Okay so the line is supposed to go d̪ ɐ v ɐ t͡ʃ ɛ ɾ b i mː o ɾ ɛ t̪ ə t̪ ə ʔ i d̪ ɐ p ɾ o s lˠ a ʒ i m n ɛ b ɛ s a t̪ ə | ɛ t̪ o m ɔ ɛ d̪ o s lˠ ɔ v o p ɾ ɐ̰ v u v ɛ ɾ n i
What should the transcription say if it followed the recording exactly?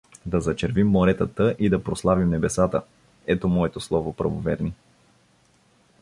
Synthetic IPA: d̪ ɐ z ɐ t͡ʃ ɛ ɾ v i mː o ɾ ɛ t̪ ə t̪ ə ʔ i d̪ ɐ p ɾ o s lˠ a v i m n ɛ b ɛ s a t̪ ə | ɛ t̪ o m ɔ ɛ t̪ o s lˠ ɔ v o p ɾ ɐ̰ v o v ɛ ɾ n i